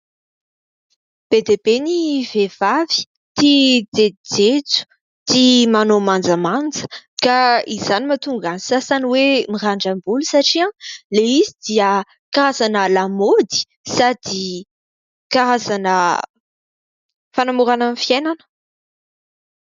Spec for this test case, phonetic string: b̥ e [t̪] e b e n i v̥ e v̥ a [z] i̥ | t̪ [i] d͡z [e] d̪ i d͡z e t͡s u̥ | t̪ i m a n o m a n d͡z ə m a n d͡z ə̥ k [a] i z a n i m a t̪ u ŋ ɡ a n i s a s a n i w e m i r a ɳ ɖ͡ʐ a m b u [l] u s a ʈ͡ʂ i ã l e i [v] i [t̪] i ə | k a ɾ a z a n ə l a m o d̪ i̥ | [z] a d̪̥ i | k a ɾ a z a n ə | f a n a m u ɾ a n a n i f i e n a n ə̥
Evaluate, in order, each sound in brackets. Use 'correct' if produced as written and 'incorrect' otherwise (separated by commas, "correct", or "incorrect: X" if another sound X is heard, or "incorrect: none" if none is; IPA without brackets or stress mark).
incorrect: d̪, incorrect: v, correct, correct, correct, correct, incorrect: z, incorrect: d̪, incorrect: s